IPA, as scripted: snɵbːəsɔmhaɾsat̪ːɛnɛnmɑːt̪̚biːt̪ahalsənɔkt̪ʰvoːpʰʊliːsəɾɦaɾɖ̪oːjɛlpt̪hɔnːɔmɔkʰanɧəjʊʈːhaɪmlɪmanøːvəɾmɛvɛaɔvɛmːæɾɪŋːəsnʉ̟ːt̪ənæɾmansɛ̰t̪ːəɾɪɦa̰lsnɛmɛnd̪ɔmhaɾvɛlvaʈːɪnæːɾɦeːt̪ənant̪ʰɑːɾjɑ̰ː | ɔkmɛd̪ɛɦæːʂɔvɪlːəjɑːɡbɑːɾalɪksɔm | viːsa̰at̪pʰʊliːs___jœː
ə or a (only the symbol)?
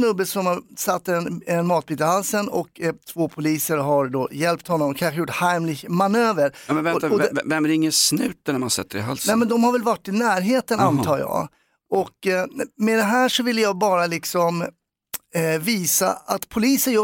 ə